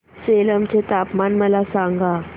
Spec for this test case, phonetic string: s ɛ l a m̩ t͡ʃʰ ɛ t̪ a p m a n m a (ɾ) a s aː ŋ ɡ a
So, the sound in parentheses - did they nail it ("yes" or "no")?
no